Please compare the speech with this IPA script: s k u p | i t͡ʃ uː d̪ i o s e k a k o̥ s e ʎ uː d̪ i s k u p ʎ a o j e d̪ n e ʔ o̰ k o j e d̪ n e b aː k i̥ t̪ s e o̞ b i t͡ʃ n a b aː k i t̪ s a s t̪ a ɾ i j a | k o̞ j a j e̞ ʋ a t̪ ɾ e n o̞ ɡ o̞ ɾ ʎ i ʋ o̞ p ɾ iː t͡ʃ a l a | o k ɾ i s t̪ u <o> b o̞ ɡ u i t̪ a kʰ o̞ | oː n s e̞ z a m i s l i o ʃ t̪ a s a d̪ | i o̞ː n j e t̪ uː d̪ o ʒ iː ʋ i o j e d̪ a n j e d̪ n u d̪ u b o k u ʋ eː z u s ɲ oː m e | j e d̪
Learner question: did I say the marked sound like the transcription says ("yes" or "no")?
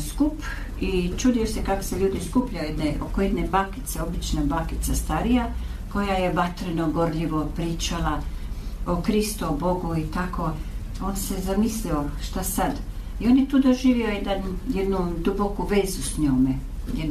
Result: yes